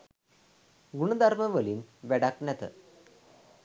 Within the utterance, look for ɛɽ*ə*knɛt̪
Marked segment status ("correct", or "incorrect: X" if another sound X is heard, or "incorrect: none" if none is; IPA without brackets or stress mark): incorrect: a